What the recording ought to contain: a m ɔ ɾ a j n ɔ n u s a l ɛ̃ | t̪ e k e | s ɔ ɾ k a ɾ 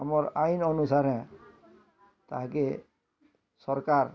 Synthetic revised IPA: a m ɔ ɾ a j n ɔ n u s a ɾ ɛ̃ | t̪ a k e | s ɔ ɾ k a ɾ